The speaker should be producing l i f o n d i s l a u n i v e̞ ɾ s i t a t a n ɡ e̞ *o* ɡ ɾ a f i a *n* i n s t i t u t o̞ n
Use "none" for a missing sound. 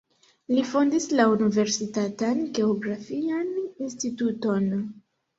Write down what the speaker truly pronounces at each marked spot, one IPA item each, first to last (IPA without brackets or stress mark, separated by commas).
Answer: o, n